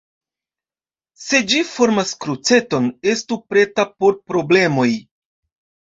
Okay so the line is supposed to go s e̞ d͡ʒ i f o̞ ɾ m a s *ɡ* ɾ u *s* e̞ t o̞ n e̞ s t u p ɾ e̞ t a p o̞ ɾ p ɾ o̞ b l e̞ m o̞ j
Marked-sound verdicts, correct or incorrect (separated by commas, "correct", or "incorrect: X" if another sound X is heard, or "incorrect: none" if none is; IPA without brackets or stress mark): incorrect: k, incorrect: t͡s